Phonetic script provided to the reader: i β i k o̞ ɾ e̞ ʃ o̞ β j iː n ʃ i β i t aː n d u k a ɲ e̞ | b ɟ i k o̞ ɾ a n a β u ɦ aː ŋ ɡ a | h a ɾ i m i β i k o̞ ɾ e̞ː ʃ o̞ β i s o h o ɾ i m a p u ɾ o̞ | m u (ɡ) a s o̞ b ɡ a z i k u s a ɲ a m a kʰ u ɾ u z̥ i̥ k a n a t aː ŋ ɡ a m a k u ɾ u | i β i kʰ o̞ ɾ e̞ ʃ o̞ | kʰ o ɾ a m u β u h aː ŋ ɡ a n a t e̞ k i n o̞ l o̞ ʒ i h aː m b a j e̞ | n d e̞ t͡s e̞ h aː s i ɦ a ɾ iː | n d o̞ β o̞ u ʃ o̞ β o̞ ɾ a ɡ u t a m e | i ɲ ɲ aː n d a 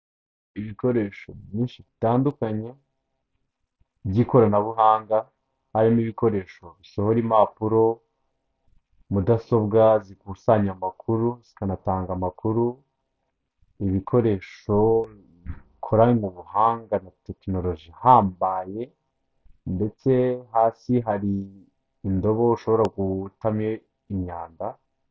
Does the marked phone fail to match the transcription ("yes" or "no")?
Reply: yes